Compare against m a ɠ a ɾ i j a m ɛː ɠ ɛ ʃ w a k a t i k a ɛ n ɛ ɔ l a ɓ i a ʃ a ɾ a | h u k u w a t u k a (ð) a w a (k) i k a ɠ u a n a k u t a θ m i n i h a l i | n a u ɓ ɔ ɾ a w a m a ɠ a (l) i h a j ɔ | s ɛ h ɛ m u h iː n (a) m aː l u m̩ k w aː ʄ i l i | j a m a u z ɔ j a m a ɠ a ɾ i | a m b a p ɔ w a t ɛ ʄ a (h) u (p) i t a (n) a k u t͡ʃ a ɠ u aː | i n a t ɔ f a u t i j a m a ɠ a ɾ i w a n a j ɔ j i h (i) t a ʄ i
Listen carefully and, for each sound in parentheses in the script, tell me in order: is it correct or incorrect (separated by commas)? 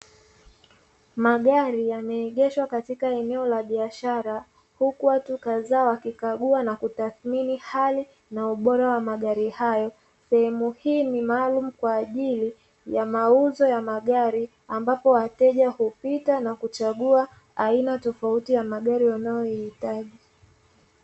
incorrect, correct, incorrect, incorrect, correct, correct, correct, correct